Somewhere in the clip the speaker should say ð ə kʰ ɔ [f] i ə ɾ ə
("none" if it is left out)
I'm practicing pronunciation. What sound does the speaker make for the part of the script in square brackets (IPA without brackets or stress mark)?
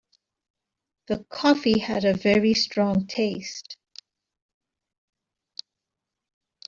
f